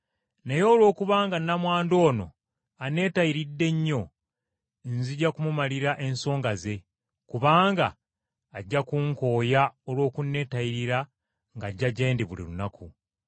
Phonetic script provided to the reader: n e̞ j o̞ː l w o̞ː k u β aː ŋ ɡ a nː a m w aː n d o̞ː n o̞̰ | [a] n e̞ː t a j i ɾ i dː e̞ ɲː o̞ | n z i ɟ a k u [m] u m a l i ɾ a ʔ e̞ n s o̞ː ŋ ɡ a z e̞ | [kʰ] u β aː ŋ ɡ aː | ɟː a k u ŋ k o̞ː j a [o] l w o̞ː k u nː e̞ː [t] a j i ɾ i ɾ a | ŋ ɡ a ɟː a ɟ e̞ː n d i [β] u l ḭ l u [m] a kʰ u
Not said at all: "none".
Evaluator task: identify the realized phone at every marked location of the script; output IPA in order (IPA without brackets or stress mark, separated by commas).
a, m, k, o, t, β, n